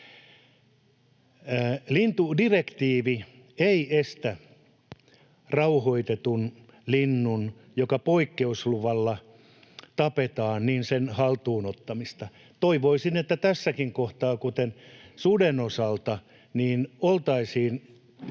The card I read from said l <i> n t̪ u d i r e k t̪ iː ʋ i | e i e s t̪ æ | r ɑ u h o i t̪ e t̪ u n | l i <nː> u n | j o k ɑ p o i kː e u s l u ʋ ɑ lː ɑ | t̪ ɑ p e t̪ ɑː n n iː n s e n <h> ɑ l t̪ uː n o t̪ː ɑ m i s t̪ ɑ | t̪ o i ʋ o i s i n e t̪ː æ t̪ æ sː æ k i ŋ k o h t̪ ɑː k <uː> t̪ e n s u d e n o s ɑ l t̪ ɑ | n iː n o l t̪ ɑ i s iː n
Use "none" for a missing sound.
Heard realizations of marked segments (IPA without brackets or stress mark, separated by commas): i, nː, h, u